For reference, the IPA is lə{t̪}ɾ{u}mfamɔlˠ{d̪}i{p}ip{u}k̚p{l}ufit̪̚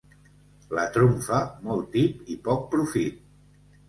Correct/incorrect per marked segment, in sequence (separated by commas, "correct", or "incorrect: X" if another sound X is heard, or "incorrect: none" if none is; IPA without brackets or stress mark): correct, correct, incorrect: t̪, correct, incorrect: ɔ, incorrect: ɾ